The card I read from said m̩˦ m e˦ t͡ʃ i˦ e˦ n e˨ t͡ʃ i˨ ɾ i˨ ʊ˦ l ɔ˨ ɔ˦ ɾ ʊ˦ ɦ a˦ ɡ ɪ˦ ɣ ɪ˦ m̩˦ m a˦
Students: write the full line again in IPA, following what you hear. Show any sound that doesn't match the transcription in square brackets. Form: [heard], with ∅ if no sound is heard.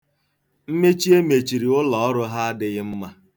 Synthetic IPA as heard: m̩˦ m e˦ t͡ʃ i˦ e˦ [m] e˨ t͡ʃ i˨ ɾ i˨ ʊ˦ l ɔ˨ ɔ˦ ɾ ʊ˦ ɦ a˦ [d] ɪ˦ ɣ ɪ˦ m̩˦ m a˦

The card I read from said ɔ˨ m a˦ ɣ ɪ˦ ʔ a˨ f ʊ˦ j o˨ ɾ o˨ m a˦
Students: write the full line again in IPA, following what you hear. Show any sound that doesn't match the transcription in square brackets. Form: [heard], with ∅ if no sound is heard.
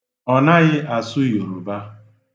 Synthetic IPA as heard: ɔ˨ [n] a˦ ɣ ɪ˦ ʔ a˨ [s] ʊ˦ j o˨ ɾ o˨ [b] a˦

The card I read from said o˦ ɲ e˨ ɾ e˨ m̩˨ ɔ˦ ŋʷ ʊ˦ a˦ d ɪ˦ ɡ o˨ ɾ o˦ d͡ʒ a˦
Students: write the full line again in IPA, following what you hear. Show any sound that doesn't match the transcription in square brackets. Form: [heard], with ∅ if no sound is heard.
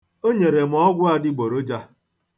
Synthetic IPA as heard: o˦ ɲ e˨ ɾ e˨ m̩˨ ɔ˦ [ɡʷ] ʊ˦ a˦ d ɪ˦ [ɡ͡b] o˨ ɾ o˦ d͡ʒ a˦

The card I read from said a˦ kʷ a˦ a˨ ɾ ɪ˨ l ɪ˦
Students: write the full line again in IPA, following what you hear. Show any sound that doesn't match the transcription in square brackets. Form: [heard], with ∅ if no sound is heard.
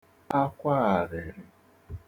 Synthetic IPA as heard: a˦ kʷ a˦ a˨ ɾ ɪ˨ [ɾ] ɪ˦

